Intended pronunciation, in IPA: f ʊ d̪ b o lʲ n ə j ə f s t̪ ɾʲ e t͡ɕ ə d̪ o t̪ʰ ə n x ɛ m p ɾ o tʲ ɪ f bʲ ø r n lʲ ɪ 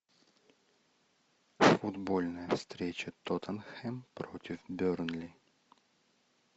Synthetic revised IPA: f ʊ d̪ b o lʲ n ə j ə f s t̪ ɾʲ e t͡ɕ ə t̪ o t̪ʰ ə n x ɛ m p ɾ o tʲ ɪ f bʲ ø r n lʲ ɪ

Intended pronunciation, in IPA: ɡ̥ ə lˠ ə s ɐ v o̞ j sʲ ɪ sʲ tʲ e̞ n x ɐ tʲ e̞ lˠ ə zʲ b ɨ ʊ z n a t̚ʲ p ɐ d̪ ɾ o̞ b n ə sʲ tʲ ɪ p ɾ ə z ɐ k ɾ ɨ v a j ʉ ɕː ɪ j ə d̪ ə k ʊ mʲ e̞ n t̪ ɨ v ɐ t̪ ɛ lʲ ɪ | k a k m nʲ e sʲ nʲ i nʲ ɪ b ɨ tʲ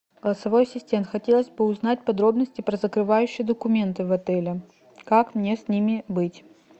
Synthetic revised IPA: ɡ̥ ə lˠ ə s ɐ v o̞ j sʲ ɪ sʲ tʲ e̞ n x ɐ tʲ e̞ lˠ ə zʲ b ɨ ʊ z n a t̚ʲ p ɐ d̪ ɾ o̞ b n ə sʲ tʲ ɪ p ɾ ə z ə k ɾ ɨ v a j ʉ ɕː ɪ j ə d̪ ə k ʊ mʲ e̞ n t̪ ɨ v ɐ t̪ ɛ lʲ ɪ | k a k m nʲ e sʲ nʲ i mʲ ɪ b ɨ tʲ

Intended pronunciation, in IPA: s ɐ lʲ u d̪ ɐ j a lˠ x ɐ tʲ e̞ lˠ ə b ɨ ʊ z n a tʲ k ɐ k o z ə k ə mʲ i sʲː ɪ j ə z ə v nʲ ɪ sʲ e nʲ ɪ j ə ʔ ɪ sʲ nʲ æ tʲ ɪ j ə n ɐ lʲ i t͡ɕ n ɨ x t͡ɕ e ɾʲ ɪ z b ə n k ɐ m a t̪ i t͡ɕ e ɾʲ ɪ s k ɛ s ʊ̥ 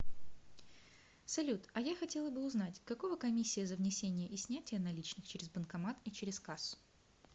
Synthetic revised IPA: s ɐ lʲ u t̪ ɐ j a x ɐ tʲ e̞ lˠ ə b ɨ ʊ z n a tʲ k ɐ k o v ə k ɐ mʲ i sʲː ɪ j ə z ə v nʲ ɪ sʲ e nʲ ɪ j ə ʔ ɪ sʲ nʲ æ tʲ ɪ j ə n ɐ lʲ i t͡ɕ n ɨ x t͡ɕ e ɾʲ ɪ z b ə n k ɐ m a t̪ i t͡ɕ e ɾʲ ɪ s k a s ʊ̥

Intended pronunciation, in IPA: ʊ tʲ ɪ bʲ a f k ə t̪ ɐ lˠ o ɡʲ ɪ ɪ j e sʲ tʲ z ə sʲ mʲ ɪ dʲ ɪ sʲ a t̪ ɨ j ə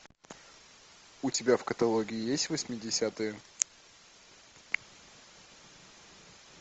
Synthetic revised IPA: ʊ tʲ ɪ bʲ a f k ə t̪ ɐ lˠ o ɡʲ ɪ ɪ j e sʲ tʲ v ə sʲ mʲ ɪ dʲ ɪ sʲ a t̪ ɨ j ə

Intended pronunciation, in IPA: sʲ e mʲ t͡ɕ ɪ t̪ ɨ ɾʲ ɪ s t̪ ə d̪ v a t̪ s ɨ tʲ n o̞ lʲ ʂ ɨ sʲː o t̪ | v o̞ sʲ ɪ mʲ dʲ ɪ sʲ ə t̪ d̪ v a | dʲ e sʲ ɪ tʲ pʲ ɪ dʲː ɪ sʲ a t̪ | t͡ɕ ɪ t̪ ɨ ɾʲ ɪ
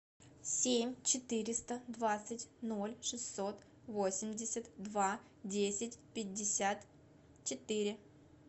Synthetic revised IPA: sʲ e mʲ t͡ɕ ɪ t̪ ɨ ɾʲ ɪ s t̪ ə d̪ v a t̪ s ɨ tʲ n o̞ lʲ ʂ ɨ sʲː o t̪ | v o̞ sʲ ɪ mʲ dʲ ɪ sʲ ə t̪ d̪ v a | dʲ e sʲ ɪ tʲ pʲ ɪ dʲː ɪ sʲ a t̪ | t͡ɕ ɪ t̪ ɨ ɾʲ ɪ

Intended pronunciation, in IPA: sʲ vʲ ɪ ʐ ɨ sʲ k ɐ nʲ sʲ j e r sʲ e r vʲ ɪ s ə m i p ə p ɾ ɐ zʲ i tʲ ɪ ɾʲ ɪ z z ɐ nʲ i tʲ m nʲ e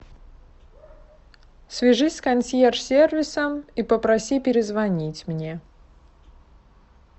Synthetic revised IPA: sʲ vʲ ɪ ʐ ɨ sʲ k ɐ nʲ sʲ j e r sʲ e r vʲ ɪ s ə m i p ə p ɾ ɐ sʲ i pʲ ɪ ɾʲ ɪ z v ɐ nʲ i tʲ m nʲ e

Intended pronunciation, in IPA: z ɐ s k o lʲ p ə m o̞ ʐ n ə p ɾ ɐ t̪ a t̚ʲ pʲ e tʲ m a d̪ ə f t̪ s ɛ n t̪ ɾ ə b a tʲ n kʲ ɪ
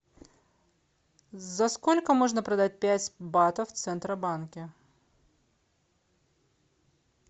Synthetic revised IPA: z ɐ s k o lʲ k ə m o̞ ʐ n ə p ɾ ɐ d̪ a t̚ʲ pʲ æ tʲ b a t̪ ə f t̪ s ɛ n t̪ ɾ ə b a n kʲ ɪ

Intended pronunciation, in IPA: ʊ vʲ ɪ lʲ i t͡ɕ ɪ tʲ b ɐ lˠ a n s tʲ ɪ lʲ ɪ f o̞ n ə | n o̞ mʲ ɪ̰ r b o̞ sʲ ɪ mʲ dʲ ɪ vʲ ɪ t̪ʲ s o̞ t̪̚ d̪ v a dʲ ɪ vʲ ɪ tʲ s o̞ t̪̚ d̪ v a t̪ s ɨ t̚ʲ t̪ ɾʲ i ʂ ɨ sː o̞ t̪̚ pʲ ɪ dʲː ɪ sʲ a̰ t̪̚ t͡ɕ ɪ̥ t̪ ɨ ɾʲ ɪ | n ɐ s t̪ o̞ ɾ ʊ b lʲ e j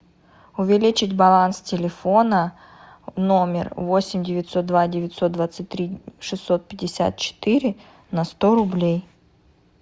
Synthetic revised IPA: ʊ vʲ ɪ lʲ i t͡ɕ ɪ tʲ b ɐ lˠ a n s tʲ ɪ lʲ ɪ f o̞ n ə | n o̞ mʲ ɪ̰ r v o̞ sʲ ɪ mʲ dʲ ɪ vʲ ɪ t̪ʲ s o̞ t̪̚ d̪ v a dʲ ɪ vʲ ɪ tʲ s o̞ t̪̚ d̪ v a t̪ s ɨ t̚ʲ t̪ ɾʲ i ʂ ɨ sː o̞ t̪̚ pʲ ɪ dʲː ɪ sʲ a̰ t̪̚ t͡ɕ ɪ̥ t̪ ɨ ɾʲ ɪ | n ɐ s t̪ o̞ ɾ ʊ b lʲ e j

